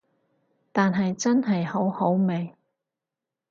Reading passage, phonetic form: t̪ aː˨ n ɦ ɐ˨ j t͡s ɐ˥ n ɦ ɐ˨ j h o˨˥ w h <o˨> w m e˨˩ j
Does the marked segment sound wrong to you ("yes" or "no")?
yes